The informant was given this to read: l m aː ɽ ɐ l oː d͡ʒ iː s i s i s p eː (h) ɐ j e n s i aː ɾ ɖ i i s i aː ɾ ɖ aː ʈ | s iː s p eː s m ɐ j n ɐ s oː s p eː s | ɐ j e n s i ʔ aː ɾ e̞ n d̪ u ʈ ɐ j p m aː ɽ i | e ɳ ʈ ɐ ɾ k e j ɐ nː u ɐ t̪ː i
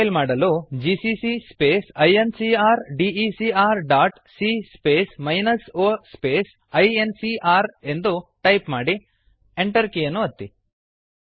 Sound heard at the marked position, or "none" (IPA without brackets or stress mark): s